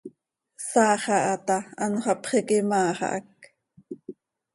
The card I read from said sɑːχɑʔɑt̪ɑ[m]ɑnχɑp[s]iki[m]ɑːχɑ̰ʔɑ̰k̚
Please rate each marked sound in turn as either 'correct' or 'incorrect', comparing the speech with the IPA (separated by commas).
incorrect, incorrect, correct